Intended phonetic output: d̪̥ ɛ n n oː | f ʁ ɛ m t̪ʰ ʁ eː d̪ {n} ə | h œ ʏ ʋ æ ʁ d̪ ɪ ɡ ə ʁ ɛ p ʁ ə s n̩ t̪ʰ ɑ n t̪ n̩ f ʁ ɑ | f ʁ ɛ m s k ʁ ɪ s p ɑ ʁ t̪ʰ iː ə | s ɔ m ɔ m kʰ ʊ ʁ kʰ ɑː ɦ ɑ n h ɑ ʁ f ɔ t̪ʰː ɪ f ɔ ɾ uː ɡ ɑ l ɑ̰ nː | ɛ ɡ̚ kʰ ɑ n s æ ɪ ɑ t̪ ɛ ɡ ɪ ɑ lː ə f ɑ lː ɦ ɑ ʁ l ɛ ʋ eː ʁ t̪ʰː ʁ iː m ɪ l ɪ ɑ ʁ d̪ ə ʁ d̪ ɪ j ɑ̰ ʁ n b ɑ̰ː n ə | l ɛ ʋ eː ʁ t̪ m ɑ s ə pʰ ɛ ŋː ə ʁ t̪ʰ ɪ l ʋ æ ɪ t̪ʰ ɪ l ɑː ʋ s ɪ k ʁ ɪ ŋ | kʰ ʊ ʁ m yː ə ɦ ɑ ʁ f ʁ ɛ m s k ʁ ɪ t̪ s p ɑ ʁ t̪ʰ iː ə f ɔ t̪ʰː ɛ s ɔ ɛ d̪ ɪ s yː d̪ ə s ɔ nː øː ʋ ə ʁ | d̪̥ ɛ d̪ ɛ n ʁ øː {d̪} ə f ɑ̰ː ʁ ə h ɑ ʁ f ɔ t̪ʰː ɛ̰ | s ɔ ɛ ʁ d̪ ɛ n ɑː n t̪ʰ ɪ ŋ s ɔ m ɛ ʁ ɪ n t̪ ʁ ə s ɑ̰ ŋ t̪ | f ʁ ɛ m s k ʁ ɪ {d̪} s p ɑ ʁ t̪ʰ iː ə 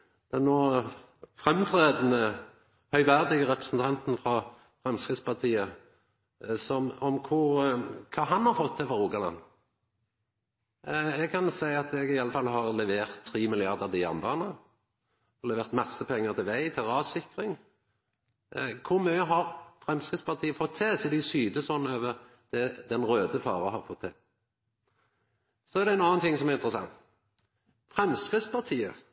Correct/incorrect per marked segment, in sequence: correct, correct, incorrect: t̪

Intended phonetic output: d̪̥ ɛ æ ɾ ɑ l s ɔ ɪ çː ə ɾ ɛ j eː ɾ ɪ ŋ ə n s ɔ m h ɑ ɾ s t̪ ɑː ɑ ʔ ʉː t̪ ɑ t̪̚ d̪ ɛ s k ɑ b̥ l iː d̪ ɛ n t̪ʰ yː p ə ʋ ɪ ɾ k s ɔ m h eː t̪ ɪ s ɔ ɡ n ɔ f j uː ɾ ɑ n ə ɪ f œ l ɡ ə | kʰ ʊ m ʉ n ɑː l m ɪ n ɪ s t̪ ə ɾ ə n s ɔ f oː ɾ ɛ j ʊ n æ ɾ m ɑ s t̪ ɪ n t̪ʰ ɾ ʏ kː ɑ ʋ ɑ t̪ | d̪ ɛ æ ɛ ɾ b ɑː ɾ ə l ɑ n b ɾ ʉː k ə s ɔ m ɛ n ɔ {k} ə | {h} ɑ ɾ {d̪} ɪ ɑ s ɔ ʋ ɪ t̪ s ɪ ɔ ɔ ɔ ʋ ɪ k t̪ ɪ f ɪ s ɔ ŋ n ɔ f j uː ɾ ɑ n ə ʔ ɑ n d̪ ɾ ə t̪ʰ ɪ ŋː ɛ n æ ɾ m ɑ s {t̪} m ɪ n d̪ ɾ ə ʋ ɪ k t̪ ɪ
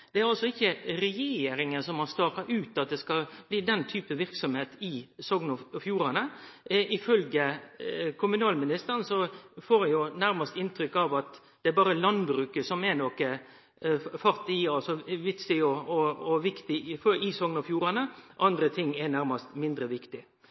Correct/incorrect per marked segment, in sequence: correct, incorrect: f, incorrect: t̪, correct

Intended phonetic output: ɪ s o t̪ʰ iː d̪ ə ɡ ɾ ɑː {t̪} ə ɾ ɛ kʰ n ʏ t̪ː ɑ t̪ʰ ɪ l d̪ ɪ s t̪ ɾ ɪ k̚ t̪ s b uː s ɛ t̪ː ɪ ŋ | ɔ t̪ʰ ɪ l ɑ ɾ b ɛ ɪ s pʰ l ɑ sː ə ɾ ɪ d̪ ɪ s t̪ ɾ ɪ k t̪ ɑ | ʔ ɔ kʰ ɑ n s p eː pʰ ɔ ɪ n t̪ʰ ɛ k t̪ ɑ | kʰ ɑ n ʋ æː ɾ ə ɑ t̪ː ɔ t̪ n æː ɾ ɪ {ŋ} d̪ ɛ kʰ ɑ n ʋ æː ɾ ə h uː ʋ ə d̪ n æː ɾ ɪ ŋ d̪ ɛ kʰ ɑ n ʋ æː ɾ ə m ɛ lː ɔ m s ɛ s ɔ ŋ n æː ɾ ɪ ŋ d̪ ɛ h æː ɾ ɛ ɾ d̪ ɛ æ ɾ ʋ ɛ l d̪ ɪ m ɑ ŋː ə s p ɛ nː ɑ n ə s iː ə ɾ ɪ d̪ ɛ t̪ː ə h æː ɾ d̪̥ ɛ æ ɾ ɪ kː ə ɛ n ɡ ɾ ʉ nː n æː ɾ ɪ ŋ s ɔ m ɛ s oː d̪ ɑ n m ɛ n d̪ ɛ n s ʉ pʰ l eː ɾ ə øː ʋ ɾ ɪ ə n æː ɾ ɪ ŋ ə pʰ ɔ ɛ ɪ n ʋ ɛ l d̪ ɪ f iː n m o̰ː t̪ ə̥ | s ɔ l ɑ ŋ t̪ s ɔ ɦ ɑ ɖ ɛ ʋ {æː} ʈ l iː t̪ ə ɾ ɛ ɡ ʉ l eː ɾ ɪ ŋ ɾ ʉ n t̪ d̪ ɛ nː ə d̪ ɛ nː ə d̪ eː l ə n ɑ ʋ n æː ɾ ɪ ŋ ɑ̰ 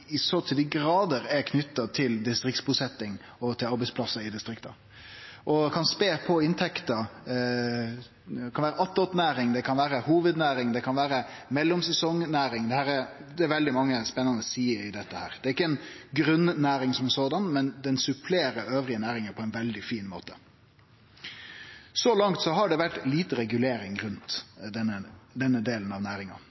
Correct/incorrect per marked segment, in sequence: incorrect: d̪, correct, incorrect: æ

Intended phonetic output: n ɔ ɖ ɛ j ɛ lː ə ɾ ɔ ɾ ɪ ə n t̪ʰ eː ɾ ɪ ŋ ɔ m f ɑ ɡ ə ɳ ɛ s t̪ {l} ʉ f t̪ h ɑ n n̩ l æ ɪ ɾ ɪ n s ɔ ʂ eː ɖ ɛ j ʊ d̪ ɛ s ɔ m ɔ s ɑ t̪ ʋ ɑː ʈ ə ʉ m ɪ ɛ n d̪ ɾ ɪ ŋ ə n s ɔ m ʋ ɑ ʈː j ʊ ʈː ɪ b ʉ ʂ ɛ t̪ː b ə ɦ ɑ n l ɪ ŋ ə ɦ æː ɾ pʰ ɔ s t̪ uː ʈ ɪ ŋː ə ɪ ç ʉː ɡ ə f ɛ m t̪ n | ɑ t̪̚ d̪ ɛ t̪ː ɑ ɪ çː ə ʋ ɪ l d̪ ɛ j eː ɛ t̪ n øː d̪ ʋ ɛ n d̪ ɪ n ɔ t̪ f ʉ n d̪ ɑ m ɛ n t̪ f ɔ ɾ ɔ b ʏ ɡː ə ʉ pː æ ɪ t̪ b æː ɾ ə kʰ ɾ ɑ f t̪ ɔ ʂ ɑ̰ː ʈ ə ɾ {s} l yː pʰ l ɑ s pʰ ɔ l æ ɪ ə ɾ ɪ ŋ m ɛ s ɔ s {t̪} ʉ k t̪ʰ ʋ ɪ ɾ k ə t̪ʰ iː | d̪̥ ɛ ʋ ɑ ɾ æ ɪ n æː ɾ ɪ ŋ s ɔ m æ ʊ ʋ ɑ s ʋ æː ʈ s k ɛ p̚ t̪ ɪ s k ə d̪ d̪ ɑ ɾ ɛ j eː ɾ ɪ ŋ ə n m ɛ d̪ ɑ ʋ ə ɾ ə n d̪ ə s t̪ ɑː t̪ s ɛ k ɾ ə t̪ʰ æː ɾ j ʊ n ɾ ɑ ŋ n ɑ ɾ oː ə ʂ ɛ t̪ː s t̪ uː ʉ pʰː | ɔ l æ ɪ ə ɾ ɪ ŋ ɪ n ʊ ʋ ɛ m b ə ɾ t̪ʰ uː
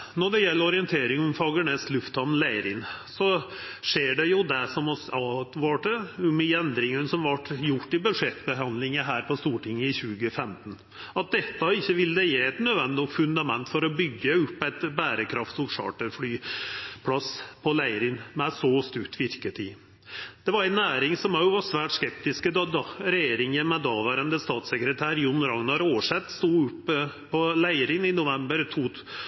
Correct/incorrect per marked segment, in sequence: correct, incorrect: f, correct

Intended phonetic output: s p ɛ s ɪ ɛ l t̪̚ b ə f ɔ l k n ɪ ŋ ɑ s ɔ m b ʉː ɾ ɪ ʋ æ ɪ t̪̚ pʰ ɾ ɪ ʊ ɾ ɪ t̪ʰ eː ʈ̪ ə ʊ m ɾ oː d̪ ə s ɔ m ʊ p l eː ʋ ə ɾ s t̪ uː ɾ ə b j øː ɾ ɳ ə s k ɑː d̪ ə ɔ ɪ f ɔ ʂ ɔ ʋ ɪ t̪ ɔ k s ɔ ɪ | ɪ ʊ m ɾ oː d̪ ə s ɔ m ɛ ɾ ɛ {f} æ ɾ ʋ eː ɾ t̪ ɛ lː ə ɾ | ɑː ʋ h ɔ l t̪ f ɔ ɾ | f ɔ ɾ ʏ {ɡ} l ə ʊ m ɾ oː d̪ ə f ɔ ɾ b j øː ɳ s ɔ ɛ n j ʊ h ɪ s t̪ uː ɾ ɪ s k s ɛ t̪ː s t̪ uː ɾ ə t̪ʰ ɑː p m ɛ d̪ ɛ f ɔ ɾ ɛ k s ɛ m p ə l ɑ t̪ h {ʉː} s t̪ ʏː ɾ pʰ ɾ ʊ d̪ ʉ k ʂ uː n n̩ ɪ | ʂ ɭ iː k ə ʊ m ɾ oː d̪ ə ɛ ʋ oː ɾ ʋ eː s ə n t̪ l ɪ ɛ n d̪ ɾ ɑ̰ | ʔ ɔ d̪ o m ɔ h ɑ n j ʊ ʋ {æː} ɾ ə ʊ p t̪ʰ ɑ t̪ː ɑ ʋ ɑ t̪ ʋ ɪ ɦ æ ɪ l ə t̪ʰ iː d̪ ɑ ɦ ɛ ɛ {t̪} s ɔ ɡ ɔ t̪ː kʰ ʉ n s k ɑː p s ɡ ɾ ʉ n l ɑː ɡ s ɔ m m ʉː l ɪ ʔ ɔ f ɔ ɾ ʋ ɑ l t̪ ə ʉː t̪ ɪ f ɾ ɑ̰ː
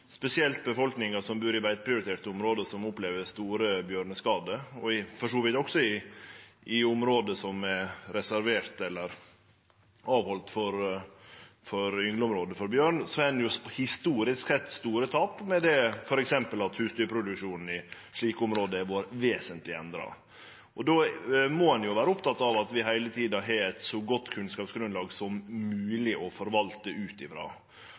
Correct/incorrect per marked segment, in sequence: incorrect: s, incorrect: ŋ, correct, correct, correct

